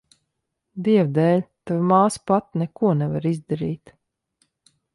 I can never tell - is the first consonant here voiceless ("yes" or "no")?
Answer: no